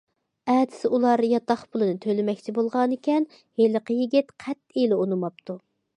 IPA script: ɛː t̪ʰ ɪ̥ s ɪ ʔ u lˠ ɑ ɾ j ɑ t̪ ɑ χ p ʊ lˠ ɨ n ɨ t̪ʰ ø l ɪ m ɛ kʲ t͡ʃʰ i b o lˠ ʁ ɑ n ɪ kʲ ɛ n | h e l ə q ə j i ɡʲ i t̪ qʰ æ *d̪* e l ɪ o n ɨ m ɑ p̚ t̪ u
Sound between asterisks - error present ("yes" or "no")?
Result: yes